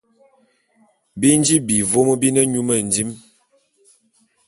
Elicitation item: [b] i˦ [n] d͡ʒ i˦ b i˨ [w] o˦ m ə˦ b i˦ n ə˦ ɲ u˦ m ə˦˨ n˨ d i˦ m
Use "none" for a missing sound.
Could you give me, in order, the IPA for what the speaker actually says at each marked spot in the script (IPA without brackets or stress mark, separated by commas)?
b, n, v